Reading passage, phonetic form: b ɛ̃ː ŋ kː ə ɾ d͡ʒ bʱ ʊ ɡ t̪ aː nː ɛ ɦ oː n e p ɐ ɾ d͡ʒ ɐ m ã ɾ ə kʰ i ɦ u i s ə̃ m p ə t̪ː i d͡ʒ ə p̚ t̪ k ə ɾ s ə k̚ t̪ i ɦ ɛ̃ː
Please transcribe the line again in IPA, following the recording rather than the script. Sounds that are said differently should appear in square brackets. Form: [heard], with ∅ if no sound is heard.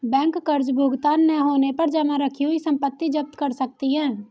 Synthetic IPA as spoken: b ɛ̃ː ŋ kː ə ɾ d͡ʒ bʱ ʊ ɡ t̪ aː nː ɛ ɦ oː n e p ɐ ɾ d͡ʒ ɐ m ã ɾ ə kʰ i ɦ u i s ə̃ m p ə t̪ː i d͡ʒ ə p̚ t̪ k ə ɾ s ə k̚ t̪ i ɦ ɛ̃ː